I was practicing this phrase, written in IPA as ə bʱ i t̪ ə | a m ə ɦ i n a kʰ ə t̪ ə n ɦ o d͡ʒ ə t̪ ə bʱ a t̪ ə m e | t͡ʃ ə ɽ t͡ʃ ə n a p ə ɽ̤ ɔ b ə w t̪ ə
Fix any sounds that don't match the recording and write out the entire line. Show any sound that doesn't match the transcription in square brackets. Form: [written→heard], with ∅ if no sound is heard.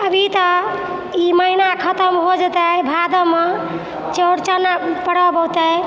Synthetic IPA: ə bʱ i t̪ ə | [a→i] m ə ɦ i n a kʰ ə t̪ ə [n→m] ɦ o d͡ʒ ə t̪ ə bʱ a [t̪→d̪] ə m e | t͡ʃ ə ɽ t͡ʃ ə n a p ə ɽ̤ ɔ b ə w t̪ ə

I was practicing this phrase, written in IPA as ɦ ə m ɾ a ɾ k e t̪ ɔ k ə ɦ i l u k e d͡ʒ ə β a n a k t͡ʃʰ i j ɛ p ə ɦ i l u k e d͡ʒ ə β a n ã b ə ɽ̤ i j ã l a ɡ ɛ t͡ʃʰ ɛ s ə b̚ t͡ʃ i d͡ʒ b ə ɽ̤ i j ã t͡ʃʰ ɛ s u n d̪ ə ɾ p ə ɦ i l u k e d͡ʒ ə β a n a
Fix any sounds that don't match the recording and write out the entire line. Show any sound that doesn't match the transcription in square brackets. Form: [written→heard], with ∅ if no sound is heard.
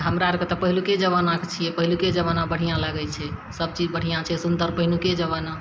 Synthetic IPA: ɦ ə m ɾ a ɾ k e t̪ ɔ [k→p] ə ɦ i l u k e d͡ʒ ə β a n a k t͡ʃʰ i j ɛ p ə ɦ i l u k e d͡ʒ ə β a n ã b ə ɽ̤ i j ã l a ɡ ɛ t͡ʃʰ ɛ s ə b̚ t͡ʃ i d͡ʒ b ə ɽ̤ i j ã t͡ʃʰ ɛ s u n d̪ ə ɾ p ə ɦ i l u k e d͡ʒ ə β a n a

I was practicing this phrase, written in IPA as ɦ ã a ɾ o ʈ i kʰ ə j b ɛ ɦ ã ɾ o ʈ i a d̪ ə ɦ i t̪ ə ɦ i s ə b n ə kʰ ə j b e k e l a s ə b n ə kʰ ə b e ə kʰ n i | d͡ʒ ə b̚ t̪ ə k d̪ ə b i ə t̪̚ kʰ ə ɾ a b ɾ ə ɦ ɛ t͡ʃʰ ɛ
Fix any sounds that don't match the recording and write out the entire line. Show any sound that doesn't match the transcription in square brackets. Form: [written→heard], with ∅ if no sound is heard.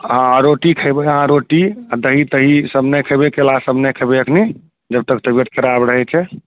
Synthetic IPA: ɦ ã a ɾ o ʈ i kʰ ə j b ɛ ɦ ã ɾ o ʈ i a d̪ ə ɦ i t̪ ə ɦ i s ə b n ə kʰ ə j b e k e l a s ə b n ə kʰ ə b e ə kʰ n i | d͡ʒ ə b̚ t̪ ə k [d̪→t̪] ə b i ə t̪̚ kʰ ə ɾ a b ɾ ə ɦ ɛ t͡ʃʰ ɛ

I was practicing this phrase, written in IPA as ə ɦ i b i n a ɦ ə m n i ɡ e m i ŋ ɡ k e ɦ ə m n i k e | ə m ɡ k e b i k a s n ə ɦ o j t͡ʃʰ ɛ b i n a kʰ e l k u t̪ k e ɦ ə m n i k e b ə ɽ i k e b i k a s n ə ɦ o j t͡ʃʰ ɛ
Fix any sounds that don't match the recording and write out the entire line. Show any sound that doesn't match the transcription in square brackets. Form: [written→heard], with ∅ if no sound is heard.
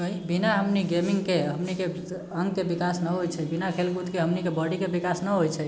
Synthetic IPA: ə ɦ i b i n a ɦ ə m n i ɡ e m i ŋ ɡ k e ɦ ə m n i k e | ə [m→ŋ] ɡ k e b i k a s n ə ɦ o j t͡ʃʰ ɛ b i n a kʰ e l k u t̪ k e ɦ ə m n i k e b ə ɽ i k e b i k a s n ə ɦ o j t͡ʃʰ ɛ

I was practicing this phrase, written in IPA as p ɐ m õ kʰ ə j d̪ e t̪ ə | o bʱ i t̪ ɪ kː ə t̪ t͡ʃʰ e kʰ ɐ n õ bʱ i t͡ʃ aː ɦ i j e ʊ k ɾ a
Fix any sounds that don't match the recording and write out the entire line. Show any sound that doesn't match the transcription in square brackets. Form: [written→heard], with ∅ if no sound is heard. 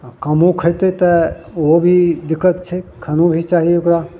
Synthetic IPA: [p→k] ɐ m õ kʰ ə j [d̪→t̪] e t̪ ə | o bʱ i [t̪→d̪] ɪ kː ə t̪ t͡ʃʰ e kʰ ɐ n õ bʱ i t͡ʃ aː ɦ i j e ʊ k ɾ a

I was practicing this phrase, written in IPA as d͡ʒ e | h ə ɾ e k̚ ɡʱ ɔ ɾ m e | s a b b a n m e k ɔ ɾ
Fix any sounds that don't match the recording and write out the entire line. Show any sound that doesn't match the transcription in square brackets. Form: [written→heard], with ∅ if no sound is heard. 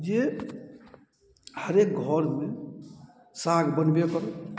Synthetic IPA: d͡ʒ e | h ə ɾ e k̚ ɡʱ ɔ ɾ m e | s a [b→ɡ] b [a→ə] n [m→b] e k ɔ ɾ

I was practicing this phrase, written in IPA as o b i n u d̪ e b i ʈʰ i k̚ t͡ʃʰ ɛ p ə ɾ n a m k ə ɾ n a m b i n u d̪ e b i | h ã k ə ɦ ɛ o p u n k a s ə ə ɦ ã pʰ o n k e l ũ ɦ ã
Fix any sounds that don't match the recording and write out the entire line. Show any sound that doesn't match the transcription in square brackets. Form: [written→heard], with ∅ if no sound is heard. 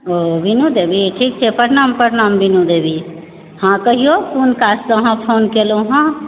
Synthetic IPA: o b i n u d̪ e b i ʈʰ i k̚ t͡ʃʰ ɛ p ə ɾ n a m [k→p] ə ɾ n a m b i n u d̪ e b i | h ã k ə ɦ [ɛ→i] o [p→k] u n k a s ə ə ɦ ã pʰ o n k e l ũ ɦ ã

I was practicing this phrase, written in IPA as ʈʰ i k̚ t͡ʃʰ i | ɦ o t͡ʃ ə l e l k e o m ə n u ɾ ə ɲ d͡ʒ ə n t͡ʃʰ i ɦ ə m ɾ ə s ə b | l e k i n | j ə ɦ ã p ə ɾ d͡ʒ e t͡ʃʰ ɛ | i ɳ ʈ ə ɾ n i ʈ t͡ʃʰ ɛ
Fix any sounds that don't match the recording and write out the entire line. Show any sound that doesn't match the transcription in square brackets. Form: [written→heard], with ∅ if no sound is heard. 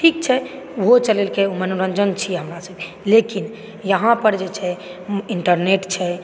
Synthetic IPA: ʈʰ i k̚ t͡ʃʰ [i→ɛ] | ɦ o t͡ʃ ə l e l k e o m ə n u ɾ ə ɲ d͡ʒ ə n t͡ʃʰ i ɦ ə m ɾ [ə→a] s ə b | l e k i n | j ə ɦ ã p ə ɾ d͡ʒ e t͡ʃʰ ɛ | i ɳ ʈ ə ɾ n [i→e] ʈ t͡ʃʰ ɛ

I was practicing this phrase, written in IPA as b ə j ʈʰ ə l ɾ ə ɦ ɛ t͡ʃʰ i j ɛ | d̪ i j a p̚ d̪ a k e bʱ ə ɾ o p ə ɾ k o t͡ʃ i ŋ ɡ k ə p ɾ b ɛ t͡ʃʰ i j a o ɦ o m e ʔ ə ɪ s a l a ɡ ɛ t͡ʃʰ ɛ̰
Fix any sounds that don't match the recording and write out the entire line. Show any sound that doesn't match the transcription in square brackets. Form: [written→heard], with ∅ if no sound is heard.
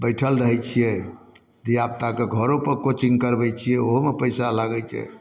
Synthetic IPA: b ə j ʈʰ ə l ɾ ə ɦ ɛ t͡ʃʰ i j ɛ | d̪ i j a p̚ [d̪→t̪] a k e [bʱ→ɡʱ] ə ɾ o p ə ɾ k o t͡ʃ i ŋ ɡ k ə [p→∅] ɾ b ɛ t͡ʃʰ i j [a→ɛ] o ɦ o m e [ʔ→p] ə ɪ s a l a ɡ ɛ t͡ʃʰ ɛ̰

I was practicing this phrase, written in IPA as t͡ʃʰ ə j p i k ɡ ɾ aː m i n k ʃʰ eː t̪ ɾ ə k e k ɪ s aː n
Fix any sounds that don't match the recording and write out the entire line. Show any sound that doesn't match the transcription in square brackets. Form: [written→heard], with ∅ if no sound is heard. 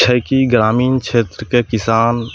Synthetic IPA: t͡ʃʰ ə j [p→k] i [k→∅] ɡ ɾ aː m [i→iː] n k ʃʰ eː t̪ ɾ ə k e k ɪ s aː n

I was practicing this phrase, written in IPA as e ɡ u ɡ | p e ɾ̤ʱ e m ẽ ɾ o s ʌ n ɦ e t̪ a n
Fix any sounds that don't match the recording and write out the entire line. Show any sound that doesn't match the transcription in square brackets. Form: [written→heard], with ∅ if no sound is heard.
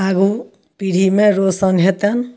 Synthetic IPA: [e→a] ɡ u [ɡ→∅] | p [e→i] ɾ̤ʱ [e→i] m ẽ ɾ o s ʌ n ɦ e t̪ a n

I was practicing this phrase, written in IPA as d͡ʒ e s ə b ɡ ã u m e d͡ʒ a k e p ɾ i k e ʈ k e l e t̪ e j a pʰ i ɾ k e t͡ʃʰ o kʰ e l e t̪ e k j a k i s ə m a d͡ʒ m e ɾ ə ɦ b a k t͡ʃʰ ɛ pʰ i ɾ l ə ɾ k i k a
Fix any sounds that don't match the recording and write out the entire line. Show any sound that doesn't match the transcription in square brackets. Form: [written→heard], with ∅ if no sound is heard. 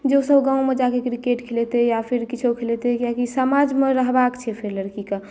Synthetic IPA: d͡ʒ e s ə b ɡ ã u m e d͡ʒ a k e [p→k] ɾ i k e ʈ [k→kʰ] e l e t̪ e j a pʰ i ɾ k [e→i] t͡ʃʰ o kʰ e l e t̪ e k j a k i s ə m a d͡ʒ m e ɾ ə ɦ b a k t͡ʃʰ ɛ pʰ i ɾ l ə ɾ k i k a

